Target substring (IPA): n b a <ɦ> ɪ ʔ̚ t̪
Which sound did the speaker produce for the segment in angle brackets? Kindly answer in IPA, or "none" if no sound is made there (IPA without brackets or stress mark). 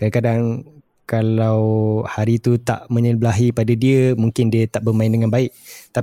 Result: none